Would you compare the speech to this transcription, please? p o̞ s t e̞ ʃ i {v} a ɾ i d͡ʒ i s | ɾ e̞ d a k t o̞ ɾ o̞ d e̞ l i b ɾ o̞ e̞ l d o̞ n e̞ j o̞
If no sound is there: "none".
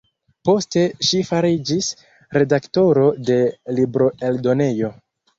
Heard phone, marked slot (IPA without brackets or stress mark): f